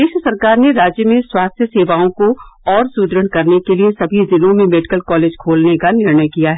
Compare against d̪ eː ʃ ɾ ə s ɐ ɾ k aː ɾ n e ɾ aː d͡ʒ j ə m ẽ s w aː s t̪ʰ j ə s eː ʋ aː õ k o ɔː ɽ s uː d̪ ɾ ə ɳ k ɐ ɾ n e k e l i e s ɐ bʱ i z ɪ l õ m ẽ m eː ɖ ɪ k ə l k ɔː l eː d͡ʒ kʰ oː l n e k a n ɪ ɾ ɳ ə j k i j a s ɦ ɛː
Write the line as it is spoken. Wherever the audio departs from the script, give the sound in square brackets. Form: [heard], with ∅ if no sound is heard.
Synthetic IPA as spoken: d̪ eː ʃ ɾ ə s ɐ ɾ k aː ɾ n e ɾ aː d͡ʒ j ə m ẽ s w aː s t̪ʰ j ə s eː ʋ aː õ k o ɔː [ɾ] s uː d̪ ɾ ə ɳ k ɐ ɾ n e k e l i e s ɐ bʱ i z ɪ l õ m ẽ m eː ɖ ɪ k ə l k ɔː l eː d͡ʒ kʰ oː l n e k a n ɪ ɾ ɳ ə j k i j a [∅] ɦ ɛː

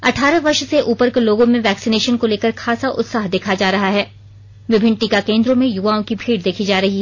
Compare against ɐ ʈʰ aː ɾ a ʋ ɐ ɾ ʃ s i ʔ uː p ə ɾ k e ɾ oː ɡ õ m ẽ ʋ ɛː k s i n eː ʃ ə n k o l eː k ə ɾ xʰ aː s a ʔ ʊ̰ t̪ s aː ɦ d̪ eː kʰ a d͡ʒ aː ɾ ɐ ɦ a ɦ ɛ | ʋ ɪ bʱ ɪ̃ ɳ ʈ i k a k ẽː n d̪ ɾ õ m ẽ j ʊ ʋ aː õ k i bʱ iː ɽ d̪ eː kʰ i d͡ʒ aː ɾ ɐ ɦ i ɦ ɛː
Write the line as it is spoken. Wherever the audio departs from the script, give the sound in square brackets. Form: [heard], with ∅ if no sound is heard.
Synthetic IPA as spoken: ɐ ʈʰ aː ɾ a ʋ ɐ ɾ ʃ s [e] ʔ uː p ə ɾ k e [l] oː ɡ õ m ẽ ʋ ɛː k s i n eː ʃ ə n k o l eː k ə ɾ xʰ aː s a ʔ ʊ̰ t̪ s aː ɦ d̪ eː kʰ a d͡ʒ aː ɾ ɐ ɦ a ɦ [ɛː] | ʋ ɪ bʱ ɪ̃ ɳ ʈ i k a k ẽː n d̪ ɾ õ m ẽ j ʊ ʋ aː õ k i bʱ iː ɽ d̪ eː kʰ i d͡ʒ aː ɾ ɐ ɦ i ɦ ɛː

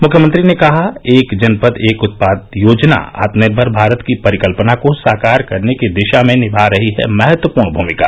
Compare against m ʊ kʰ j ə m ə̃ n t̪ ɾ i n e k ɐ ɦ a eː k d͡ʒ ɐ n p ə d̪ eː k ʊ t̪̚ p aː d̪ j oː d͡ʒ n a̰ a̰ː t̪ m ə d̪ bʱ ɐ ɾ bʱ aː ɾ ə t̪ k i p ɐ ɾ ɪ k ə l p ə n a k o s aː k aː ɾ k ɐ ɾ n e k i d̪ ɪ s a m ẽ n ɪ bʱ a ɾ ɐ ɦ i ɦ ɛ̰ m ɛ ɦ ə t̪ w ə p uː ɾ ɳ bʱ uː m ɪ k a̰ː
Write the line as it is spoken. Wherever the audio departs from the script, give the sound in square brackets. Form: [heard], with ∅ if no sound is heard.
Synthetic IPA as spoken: m ʊ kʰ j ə m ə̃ n t̪ ɾ i n e k ɐ ɦ a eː k d͡ʒ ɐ n p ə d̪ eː k ʊ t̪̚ p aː d̪ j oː d͡ʒ n a̰ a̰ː t̪ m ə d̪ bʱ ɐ ɾ bʱ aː ɾ ə t̪ k i p ɐ ɾ ɪ k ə l p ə n a k o s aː k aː ɾ k ɐ ɾ n e k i d̪ ɪ [ʃ] a m ẽ n ɪ bʱ a ɾ ɐ ɦ i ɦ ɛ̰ m ɛ ɦ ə t̪ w ə p uː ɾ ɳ bʱ uː m ɪ k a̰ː

